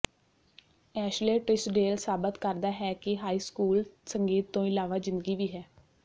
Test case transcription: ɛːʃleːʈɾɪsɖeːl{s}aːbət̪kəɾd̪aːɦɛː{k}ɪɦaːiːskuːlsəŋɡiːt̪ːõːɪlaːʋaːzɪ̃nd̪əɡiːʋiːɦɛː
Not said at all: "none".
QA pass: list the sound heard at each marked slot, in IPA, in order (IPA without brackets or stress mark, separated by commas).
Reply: s, k